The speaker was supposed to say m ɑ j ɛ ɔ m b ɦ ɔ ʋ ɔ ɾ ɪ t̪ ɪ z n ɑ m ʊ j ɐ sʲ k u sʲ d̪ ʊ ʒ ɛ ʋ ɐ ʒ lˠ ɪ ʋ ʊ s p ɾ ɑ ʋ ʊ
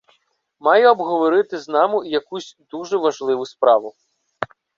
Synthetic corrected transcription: m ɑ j ɛ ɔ b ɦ ɔ ʋ ɔ ɾ ɪ t̪ ɪ z n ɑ m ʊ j ɐ k u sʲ d̪ u ʒ ɛ ʋ ɐ ʒ lˠ ɪ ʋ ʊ s p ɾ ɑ ʋ ʊ